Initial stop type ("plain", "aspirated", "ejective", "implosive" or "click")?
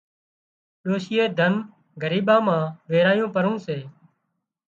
implosive